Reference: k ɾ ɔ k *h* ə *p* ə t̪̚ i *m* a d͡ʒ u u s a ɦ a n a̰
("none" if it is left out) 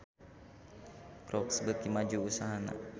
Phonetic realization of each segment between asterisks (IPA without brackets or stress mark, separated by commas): s, b, m